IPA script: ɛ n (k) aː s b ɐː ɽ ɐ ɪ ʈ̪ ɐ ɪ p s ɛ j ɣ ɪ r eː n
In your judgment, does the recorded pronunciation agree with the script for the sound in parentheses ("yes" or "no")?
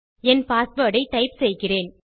no